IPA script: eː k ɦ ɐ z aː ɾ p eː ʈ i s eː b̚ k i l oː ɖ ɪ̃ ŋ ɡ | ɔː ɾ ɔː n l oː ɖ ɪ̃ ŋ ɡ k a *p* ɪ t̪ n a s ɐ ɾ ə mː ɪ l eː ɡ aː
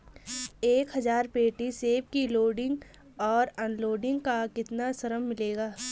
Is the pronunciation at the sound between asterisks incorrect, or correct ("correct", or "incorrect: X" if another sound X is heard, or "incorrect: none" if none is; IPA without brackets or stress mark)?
incorrect: k